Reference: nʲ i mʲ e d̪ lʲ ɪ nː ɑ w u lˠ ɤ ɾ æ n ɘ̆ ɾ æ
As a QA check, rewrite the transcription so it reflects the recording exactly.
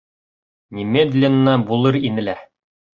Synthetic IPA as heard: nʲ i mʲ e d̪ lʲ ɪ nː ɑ b u lˠ ɤ ɾ i n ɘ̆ l æ